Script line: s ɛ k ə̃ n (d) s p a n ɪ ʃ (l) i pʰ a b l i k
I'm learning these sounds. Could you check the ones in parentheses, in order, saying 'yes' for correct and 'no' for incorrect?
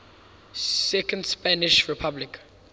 yes, no

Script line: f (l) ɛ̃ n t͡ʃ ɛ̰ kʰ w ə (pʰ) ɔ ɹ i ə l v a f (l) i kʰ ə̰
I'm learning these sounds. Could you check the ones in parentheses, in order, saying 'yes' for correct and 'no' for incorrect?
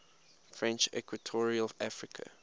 no, no, no

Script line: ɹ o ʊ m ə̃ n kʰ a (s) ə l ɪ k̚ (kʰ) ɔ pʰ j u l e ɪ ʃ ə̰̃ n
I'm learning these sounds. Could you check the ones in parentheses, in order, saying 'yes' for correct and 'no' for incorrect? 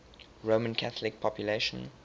no, no

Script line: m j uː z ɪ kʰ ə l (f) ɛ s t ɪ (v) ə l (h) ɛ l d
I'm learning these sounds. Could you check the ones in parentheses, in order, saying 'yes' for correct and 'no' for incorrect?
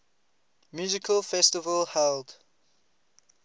yes, yes, yes

